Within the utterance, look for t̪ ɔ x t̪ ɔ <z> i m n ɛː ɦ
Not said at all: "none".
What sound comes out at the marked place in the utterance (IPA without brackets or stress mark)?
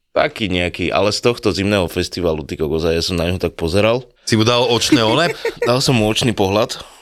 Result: z